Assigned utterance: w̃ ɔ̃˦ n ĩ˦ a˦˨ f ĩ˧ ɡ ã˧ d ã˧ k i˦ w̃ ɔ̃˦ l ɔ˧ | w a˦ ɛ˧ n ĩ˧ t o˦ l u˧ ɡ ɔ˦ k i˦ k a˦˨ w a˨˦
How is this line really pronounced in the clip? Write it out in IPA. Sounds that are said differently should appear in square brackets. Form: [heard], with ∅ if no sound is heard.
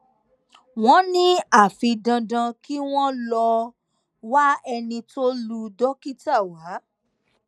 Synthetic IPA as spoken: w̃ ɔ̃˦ n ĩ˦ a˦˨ f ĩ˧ [d] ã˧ d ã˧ k i˦ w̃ ɔ̃˦ l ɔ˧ | w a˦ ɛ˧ n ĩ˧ t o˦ l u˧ [d] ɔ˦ k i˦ [t] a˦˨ w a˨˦